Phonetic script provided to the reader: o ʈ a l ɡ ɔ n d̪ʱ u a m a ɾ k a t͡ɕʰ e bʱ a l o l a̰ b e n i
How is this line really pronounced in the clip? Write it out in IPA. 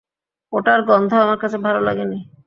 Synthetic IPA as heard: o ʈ a ɾ ɡ ɔ n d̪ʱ o a m a ɾ k a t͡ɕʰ e bʱ a l o l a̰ ɡ e n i